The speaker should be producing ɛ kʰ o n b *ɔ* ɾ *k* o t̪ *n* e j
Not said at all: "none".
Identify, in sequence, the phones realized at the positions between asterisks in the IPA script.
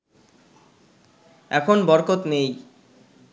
ɔ, k, n

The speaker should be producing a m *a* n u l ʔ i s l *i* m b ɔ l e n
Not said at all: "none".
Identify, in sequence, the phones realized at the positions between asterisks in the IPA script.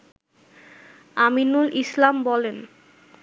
i, a

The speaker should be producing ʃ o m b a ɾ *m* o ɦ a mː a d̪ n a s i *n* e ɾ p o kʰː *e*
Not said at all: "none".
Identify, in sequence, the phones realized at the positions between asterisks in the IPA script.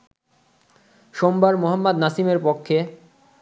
m, m, e

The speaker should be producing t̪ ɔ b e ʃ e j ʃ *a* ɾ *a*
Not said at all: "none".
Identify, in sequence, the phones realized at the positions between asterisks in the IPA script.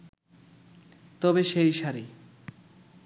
a, i

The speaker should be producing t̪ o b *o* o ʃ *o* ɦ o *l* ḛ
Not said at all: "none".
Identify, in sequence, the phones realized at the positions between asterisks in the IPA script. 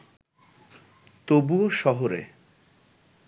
u, ɔ, ɾ

